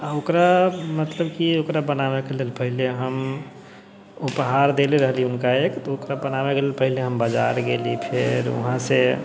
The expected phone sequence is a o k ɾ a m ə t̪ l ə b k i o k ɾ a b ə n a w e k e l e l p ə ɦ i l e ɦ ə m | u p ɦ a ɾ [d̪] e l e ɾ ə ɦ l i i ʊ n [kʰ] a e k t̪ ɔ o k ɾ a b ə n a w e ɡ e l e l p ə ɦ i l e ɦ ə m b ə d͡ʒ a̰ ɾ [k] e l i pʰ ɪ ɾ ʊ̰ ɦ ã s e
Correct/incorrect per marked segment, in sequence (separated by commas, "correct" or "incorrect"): correct, incorrect, incorrect